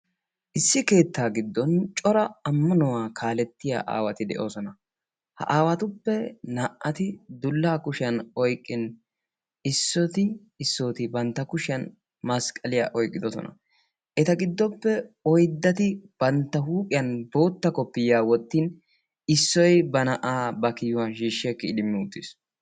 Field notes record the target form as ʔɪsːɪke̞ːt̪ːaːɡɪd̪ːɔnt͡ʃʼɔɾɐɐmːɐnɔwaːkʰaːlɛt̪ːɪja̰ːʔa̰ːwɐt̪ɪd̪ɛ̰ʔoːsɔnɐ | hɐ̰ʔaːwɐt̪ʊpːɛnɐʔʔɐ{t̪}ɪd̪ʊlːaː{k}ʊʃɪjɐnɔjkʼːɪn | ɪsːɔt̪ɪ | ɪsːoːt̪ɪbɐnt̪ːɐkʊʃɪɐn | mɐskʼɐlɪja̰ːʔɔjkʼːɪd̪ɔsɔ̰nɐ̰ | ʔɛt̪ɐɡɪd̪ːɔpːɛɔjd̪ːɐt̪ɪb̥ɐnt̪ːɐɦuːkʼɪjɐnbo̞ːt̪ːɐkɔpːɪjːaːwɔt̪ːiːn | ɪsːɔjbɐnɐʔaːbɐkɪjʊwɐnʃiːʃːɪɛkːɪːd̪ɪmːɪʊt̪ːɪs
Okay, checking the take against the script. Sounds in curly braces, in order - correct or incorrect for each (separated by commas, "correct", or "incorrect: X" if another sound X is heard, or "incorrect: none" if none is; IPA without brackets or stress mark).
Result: correct, correct